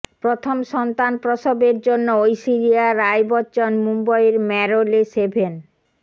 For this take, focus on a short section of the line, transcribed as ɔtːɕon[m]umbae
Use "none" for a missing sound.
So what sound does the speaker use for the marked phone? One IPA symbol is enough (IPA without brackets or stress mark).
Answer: m